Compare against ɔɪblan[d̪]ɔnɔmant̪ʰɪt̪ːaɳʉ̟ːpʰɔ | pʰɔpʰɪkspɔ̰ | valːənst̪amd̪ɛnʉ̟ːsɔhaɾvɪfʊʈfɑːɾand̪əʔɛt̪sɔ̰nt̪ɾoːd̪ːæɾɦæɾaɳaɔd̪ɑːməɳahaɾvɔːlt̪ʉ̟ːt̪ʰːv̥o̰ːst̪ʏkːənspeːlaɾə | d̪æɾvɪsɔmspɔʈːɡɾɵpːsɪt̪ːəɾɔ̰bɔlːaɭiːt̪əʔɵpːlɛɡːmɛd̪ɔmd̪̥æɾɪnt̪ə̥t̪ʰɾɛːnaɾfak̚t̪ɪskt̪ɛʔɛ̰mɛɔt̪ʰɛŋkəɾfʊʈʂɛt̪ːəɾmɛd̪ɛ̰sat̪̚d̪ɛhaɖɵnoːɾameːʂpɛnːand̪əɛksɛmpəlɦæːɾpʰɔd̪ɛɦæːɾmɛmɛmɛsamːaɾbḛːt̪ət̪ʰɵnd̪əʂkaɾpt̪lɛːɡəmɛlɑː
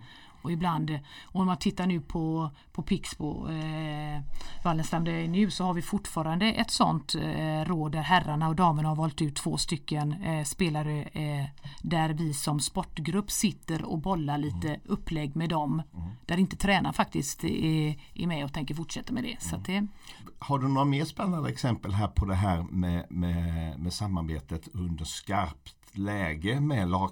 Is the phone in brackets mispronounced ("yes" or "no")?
no